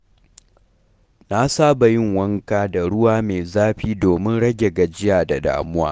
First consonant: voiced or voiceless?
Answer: voiced